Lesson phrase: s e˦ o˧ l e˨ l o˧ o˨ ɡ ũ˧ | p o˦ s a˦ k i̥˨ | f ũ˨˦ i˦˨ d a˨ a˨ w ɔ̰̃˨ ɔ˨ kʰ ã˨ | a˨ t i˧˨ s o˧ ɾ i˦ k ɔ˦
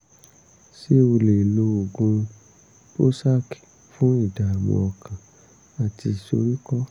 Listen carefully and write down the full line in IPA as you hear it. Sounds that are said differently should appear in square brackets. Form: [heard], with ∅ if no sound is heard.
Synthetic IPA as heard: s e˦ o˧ l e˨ l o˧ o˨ ɡ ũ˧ | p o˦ s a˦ k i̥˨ | f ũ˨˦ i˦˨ d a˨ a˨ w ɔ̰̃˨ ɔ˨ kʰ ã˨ | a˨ t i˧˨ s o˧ ɾ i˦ k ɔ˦